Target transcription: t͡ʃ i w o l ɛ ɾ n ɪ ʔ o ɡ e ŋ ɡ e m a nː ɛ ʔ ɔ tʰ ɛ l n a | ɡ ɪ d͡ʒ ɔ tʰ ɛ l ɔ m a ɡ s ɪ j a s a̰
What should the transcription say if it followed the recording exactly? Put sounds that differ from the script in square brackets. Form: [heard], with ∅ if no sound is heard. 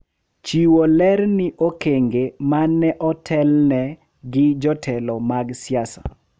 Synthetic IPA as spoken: t͡ʃ i w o l ɛ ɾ n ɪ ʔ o [k] e ŋ ɡ e m a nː ɛ ʔ ɔ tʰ ɛ l n [ɛ] | ɡ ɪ d͡ʒ ɔ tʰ ɛ l ɔ m a ɡ s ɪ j a s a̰